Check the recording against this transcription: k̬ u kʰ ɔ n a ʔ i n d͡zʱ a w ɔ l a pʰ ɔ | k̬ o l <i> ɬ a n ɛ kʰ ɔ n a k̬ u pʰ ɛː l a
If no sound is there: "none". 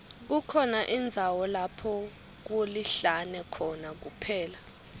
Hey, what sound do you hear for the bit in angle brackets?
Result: i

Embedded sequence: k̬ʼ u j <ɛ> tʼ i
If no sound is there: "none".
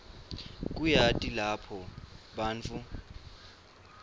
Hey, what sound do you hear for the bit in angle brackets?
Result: a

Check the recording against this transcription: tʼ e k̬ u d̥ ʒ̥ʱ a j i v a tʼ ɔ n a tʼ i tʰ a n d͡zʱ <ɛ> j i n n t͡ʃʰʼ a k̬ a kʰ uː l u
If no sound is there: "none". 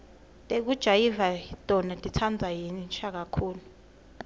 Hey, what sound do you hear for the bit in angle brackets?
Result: a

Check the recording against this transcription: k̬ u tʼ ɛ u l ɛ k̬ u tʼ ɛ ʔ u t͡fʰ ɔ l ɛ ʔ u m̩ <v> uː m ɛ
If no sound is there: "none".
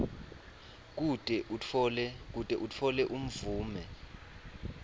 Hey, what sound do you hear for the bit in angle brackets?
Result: v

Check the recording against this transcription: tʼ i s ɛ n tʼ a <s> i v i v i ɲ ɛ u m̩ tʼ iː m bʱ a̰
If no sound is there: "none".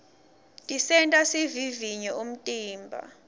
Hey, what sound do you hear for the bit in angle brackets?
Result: s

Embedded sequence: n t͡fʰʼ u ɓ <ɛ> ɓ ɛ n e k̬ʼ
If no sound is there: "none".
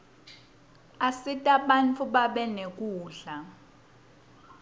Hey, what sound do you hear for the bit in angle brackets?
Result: a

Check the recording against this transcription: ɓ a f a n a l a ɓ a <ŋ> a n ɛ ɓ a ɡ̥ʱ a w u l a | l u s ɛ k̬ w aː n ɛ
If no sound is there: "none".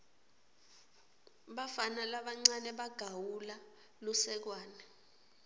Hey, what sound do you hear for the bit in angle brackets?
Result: ŋ͡ǀ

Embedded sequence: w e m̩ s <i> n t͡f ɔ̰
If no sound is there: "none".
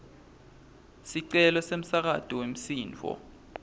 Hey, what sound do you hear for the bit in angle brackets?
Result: iː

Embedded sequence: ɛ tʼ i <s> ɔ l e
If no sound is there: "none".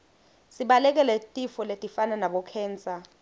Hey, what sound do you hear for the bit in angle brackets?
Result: f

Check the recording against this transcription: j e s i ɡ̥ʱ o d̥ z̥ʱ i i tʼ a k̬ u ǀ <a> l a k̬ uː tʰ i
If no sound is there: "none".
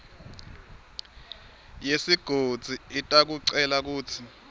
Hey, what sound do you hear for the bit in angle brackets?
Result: ɛ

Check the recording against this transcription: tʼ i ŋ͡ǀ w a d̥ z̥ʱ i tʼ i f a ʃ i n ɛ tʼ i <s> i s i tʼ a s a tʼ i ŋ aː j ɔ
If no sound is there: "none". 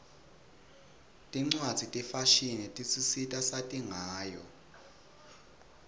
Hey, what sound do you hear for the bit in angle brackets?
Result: s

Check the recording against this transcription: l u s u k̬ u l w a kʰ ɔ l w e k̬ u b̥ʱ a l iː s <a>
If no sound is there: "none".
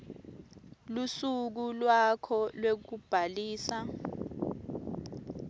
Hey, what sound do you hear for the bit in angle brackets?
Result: a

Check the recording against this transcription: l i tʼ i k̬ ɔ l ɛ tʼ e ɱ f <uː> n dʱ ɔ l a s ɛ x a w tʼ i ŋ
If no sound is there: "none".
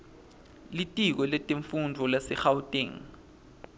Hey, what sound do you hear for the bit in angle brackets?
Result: u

